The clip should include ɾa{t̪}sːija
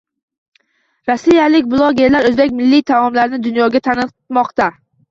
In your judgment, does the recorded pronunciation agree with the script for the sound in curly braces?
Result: no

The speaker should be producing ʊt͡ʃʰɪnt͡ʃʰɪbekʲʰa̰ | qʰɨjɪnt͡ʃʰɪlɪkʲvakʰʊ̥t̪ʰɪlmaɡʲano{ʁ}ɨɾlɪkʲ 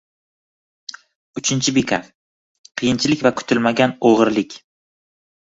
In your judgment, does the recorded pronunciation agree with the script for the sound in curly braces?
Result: yes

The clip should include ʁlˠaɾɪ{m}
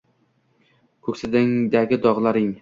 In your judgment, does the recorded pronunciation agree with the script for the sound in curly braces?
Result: no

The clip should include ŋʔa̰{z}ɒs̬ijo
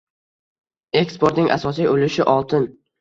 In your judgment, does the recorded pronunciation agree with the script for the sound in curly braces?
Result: no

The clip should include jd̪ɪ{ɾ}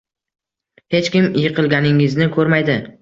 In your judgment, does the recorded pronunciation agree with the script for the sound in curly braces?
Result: no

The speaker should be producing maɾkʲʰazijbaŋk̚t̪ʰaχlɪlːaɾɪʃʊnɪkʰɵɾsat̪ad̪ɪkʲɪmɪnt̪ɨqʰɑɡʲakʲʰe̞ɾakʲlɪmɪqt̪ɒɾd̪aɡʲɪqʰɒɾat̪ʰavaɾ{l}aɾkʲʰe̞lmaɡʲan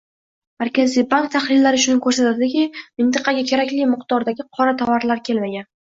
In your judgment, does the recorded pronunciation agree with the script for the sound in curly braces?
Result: yes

